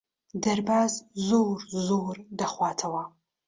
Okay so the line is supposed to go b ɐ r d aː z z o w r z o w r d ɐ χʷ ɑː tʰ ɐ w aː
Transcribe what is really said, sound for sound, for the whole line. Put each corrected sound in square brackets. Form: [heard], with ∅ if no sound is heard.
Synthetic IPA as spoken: [d] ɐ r [b] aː z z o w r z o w r d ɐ χʷ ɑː tʰ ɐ w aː

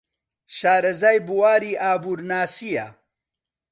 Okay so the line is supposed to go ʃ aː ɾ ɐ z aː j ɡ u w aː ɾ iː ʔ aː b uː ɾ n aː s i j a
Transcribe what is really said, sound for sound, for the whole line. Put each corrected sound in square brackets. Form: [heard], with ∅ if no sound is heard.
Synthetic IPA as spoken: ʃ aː ɾ ɐ z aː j [b] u w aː ɾ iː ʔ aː b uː ɾ n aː s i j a

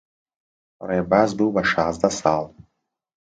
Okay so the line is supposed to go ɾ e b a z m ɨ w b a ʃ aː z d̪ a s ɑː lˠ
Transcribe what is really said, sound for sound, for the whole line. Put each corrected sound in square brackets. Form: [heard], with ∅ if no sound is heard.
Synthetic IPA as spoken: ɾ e b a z [b] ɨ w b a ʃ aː z d̪ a s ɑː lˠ

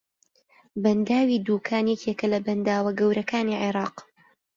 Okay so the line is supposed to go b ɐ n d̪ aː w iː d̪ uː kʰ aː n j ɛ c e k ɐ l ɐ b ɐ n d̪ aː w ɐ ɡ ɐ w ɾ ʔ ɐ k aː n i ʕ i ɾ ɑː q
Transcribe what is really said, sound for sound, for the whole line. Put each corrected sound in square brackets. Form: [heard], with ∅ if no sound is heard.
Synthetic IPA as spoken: b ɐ n d̪ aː w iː d̪ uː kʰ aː n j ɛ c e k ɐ l ɐ b ɐ n d̪ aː w ɐ ɡ ɐ w ɾ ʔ ɐ k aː n i ʕ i ɾ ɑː q

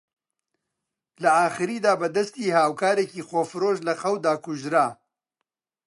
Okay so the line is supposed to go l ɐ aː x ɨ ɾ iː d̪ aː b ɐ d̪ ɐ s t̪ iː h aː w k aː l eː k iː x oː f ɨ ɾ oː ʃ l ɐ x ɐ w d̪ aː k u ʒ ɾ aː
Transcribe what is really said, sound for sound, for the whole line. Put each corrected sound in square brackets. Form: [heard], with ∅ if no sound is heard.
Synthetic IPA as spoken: l ɐ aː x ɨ ɾ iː d̪ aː b ɐ d̪ ɐ s t̪ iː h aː w k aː [ɾ] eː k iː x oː f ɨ ɾ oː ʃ l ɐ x ɐ w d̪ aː k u ʒ ɾ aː

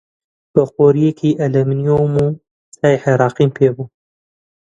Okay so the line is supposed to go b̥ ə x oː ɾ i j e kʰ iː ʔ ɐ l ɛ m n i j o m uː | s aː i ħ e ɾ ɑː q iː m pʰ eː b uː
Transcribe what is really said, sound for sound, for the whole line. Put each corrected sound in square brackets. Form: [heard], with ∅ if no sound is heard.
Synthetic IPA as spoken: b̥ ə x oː ɾ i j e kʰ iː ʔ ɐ l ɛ m n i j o m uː | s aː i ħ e ɾ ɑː q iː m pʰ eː b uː

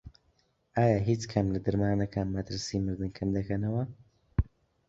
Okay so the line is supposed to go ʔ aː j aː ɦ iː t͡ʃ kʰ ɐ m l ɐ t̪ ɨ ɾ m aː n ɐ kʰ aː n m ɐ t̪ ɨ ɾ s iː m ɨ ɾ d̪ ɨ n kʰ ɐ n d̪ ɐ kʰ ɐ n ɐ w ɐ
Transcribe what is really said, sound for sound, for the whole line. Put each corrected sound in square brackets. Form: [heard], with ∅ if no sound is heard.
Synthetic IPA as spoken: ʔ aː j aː ɦ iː t͡ʃ kʰ ɐ m l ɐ [d̪] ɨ ɾ m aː n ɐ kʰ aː n m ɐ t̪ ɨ ɾ s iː m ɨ ɾ d̪ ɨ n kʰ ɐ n d̪ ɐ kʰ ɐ n ɐ w ɐ

